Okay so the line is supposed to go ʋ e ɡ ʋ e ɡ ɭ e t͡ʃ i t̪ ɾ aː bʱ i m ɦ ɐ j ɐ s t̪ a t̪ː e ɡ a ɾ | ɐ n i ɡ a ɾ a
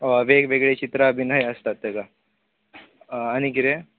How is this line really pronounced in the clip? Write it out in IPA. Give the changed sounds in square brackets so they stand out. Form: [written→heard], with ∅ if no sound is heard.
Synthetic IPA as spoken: ʋ e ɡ ʋ e ɡ ɭ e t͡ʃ i t̪ ɾ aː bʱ i [m→n] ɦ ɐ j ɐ s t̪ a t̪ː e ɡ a [ɾ→∅] | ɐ n i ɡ [a→i] ɾ [a→e]

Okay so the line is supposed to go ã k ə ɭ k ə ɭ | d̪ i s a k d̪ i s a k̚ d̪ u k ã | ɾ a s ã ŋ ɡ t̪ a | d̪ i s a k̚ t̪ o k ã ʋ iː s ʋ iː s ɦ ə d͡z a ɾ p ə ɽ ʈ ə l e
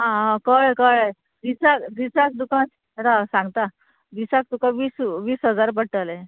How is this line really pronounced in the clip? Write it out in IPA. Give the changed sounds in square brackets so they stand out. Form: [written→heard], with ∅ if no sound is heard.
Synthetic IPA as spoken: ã k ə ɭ k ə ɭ | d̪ i s a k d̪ i s a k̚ d̪ u k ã | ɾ a s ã ŋ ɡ t̪ a | d̪ i s a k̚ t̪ [o→u] k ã ʋ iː s ʋ iː s ɦ ə d͡z a ɾ p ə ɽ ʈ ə l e

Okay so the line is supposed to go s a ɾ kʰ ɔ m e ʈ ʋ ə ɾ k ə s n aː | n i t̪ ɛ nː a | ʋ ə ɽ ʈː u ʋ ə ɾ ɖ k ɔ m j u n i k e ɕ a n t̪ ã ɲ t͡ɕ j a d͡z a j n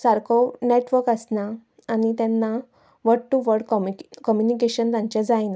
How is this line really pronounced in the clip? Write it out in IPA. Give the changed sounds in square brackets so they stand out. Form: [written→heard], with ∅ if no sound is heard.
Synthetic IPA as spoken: s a ɾ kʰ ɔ [m→n] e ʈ ʋ ə ɾ k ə s n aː | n i t̪ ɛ nː a | ʋ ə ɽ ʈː u ʋ ə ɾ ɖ k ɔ m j u n i k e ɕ [a→ə] n t̪ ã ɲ t͡ɕ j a d͡z a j n

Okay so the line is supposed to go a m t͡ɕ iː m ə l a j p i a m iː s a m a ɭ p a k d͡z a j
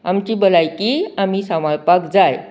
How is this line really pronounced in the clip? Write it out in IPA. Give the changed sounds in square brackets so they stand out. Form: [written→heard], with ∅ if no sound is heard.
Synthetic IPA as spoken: a m t͡ɕ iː [m→b] ə l a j [p→k] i a m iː s a m a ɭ p a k d͡z a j

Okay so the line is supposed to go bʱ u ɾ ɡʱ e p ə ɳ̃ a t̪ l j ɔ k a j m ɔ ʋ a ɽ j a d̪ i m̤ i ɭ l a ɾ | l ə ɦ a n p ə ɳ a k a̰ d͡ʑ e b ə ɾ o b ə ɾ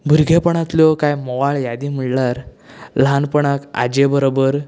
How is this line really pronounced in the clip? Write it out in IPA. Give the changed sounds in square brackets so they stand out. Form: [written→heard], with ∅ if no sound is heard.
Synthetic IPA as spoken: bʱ u ɾ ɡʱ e p ə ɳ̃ a t̪ l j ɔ k a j m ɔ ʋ a [ɽ→ɭ] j a d̪ i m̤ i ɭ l a ɾ | l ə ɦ a n p ə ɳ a k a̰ d͡ʑ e b ə ɾ o b ə ɾ

